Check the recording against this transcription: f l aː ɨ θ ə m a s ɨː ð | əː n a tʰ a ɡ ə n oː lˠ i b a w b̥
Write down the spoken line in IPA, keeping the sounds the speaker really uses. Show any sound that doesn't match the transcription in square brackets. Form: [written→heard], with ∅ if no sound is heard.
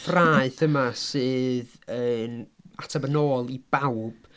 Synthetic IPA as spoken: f [l→r] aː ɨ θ ə m a s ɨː ð | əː n a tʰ a [ɡ→b] ə n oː lˠ i b a w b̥